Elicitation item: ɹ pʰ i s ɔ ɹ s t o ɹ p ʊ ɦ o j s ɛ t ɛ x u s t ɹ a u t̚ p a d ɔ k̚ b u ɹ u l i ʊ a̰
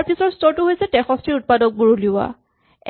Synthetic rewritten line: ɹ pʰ i s ɔ ɹ s t ɔ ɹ t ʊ ɦ o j s ɛ t ɛ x ɔ s t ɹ i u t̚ p a d ɔ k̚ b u ɹ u l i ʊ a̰